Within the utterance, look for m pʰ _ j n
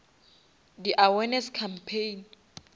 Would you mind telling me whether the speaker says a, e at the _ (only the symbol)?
e